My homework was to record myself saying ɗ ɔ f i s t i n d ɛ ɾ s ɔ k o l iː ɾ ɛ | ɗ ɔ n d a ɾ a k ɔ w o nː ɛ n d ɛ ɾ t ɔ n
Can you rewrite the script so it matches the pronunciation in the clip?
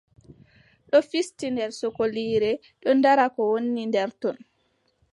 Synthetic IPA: ɗ ɔ f i s t i n d ɛ ɾ s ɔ k o l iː ɾ ɛ | ɗ ɔ n d a ɾ a k ɔ w o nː i n d ɛ ɾ t ɔ n